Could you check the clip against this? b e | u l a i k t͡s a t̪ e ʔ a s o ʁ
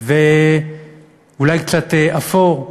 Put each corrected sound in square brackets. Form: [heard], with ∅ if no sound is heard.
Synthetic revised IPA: [v] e | u l a [j] k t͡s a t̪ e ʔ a [f] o ʁ